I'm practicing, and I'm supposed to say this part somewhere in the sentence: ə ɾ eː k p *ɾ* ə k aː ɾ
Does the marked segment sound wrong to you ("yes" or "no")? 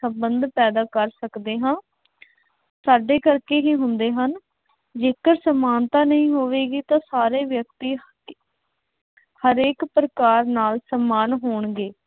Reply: no